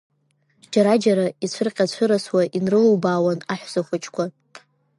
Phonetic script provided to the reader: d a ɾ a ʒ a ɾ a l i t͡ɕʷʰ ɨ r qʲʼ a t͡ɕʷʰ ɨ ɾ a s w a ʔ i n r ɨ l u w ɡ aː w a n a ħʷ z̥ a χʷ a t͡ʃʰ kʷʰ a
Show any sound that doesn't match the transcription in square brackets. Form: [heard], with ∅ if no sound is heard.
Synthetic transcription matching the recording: [d͡ʒ] a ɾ a [d͡ʒ] a ɾ a [∅] i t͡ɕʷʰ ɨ r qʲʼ a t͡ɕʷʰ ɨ ɾ a s w a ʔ i n r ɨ l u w [b] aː w a n a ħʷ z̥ a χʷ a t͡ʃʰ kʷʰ a